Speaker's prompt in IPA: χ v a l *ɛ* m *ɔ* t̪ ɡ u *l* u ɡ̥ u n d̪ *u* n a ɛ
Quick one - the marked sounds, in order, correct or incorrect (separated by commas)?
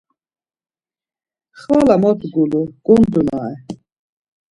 incorrect, correct, correct, correct